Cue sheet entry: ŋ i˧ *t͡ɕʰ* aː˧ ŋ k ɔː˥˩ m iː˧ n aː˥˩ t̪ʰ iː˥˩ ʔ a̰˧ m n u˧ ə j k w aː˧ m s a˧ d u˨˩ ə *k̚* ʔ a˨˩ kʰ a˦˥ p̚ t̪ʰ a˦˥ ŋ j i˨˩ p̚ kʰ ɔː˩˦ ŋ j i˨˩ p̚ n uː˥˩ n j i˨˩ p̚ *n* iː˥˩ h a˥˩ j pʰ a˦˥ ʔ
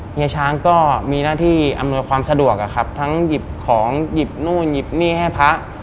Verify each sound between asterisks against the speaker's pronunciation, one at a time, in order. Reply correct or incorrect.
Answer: correct, correct, correct

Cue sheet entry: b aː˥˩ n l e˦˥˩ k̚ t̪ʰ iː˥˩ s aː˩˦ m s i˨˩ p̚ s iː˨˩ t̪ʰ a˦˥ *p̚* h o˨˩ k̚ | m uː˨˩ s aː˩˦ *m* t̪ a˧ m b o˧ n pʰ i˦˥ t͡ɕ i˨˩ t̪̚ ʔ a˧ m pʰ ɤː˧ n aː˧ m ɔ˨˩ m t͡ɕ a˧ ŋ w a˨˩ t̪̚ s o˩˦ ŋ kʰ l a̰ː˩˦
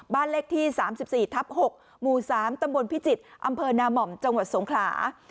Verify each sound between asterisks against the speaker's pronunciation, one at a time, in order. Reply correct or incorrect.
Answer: correct, correct

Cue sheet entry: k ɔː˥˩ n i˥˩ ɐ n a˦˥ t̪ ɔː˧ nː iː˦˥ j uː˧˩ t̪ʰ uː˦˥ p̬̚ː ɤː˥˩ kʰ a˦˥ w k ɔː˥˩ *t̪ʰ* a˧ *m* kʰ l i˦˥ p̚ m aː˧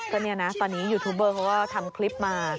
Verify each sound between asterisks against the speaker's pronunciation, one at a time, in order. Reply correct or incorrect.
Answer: correct, correct

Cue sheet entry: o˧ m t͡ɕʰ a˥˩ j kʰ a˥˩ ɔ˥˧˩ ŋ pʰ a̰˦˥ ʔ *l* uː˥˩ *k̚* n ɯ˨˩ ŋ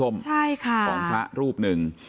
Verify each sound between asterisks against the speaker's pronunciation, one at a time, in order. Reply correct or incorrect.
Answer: incorrect, incorrect

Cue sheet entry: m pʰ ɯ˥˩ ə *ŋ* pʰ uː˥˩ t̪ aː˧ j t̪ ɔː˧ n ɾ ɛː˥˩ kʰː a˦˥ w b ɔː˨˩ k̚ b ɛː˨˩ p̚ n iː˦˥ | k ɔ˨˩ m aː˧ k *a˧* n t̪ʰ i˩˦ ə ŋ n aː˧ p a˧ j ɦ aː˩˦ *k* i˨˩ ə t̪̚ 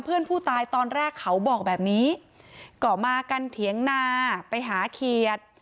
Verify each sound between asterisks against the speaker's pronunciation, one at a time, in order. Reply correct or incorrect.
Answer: incorrect, correct, incorrect

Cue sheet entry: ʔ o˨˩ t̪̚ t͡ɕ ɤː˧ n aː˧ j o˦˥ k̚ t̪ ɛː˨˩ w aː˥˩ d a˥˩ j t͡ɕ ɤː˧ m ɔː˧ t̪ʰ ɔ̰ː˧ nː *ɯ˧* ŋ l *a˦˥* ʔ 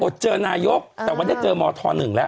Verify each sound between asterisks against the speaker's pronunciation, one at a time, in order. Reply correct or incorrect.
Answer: incorrect, incorrect

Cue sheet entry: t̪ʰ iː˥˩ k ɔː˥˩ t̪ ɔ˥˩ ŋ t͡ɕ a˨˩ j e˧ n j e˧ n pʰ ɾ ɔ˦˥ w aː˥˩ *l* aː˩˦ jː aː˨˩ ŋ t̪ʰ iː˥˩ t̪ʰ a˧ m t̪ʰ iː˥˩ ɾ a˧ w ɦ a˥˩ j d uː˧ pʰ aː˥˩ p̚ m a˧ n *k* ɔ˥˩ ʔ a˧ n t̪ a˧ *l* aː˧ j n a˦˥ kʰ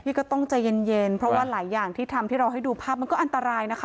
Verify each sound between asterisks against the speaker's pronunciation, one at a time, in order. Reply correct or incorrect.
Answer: correct, correct, incorrect

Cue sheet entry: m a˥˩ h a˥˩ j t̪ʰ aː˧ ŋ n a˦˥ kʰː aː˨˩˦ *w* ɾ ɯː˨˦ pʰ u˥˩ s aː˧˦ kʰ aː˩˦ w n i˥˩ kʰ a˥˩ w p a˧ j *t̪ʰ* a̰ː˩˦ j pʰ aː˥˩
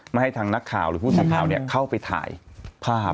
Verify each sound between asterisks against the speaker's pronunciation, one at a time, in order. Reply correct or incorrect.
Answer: correct, correct

